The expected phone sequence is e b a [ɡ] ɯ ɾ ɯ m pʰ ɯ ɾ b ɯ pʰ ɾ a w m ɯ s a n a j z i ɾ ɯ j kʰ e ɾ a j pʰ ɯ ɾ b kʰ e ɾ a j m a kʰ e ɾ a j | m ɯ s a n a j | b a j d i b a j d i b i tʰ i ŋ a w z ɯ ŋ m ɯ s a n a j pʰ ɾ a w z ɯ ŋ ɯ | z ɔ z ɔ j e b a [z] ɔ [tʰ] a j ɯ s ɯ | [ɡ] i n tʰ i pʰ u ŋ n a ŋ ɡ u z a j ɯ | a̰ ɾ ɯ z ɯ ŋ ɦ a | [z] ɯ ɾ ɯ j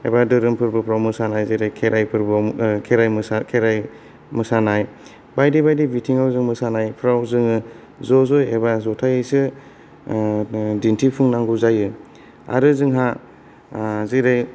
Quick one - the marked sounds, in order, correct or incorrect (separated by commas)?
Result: incorrect, correct, correct, incorrect, correct